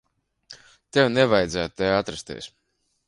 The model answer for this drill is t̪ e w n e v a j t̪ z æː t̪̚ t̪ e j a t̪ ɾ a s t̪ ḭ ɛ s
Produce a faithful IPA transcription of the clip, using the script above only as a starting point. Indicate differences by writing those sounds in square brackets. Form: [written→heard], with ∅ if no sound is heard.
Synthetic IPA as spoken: t̪ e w n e v a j [t̪→d̪] z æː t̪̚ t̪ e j a t̪ ɾ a s t̪ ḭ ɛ s